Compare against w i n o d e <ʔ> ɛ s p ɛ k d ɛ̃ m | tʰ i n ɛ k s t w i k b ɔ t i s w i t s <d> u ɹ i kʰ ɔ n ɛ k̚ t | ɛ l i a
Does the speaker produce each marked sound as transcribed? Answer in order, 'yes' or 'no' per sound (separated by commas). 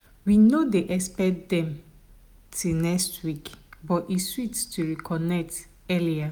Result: yes, no